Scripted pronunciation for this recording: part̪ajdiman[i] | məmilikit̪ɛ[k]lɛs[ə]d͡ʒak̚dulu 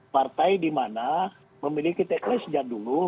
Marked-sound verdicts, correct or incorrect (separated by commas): incorrect, correct, correct